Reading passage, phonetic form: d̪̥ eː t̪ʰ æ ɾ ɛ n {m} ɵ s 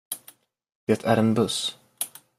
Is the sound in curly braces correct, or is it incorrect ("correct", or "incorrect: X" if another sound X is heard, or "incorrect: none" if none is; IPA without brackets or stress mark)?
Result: incorrect: b